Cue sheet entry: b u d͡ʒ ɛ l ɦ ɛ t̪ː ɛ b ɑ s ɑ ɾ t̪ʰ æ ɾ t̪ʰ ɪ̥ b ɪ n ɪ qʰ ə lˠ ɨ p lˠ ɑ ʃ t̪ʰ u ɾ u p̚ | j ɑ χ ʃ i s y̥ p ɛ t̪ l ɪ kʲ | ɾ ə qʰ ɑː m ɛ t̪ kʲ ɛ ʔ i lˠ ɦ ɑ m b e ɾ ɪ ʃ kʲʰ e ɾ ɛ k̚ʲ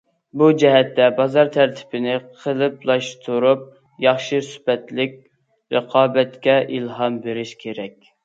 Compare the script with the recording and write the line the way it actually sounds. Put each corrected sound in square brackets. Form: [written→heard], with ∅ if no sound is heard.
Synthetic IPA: b u d͡ʒ ɛ [l→∅] ɦ ɛ t̪ː ɛ b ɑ [s→z] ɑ ɾ t̪ʰ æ ɾ t̪ʰ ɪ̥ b ɪ n ɪ qʰ ə lˠ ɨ p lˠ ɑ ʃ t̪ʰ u ɾ u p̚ | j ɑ χ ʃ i s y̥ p ɛ t̪ l ɪ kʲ | ɾ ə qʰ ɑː [m→b] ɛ t̪ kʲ ɛ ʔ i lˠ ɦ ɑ m b e ɾ ɪ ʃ kʲʰ e ɾ ɛ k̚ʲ